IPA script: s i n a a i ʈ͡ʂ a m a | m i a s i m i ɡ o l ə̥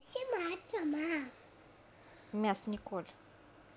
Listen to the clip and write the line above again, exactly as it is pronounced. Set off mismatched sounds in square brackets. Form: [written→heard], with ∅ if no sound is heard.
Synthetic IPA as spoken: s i [n→m] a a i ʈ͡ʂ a m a | m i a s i [m→n] i [ɡ→k] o l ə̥